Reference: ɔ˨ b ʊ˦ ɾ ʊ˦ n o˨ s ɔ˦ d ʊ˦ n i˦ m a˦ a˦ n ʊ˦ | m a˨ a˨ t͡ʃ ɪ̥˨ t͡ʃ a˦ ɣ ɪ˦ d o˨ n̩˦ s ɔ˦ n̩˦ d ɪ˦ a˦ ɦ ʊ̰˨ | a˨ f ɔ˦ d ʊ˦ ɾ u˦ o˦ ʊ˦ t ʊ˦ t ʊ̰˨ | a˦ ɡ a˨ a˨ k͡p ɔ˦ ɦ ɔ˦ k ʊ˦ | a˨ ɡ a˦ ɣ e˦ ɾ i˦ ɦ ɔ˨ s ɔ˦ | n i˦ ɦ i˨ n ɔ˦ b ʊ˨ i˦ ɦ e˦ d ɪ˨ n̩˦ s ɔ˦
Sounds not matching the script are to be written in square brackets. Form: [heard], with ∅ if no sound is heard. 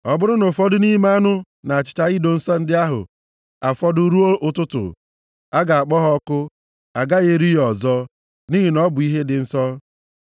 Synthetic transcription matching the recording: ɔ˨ b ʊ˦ ɾ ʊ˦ n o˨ [f] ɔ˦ d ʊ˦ n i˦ m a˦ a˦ n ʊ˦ | [n] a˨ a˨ t͡ʃ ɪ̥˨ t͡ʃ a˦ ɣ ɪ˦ d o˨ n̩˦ s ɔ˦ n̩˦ d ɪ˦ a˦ ɦ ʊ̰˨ | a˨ f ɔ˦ d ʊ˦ ɾ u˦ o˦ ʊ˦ t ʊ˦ t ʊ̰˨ | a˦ ɡ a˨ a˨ k͡p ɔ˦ ɦ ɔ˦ k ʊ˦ | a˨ ɡ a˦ ɣ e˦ ɾ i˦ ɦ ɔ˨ [z] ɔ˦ | n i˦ ɦ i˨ n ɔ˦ b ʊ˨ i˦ ɦ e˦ d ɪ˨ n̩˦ s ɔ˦